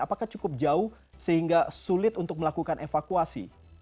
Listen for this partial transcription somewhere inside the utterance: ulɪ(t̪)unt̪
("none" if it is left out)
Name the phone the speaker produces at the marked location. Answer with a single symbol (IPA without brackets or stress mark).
t̪